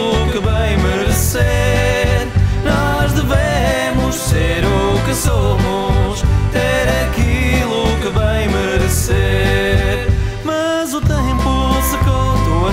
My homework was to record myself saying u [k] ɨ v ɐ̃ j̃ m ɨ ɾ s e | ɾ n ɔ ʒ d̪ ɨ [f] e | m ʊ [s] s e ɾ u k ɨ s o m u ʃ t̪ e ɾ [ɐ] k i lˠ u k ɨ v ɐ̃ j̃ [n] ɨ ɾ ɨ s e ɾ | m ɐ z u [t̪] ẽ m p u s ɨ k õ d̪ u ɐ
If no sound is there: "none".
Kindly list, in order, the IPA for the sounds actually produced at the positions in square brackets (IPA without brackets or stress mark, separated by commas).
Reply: k, v, ʃ, ɐ, m, t̪